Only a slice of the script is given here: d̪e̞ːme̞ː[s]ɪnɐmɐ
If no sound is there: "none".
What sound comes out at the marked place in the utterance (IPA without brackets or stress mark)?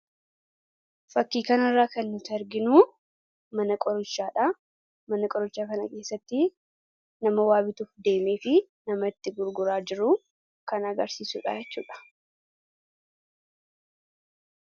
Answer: f